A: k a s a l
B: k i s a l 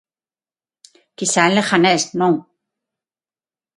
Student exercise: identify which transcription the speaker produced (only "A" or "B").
B